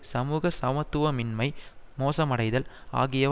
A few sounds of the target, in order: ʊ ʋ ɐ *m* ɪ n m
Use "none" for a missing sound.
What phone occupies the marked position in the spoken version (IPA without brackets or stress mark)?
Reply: m